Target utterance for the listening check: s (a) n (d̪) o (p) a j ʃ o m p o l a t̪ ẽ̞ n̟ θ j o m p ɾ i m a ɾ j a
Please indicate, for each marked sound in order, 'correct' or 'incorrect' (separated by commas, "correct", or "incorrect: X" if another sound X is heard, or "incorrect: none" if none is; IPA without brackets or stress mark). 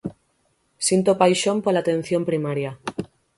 incorrect: i, incorrect: t̪, correct